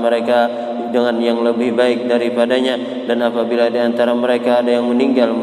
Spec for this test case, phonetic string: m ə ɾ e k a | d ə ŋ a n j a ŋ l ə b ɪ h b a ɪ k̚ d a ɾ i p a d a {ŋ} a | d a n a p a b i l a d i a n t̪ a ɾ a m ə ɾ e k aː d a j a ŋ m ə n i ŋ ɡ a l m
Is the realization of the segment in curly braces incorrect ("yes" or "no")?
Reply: yes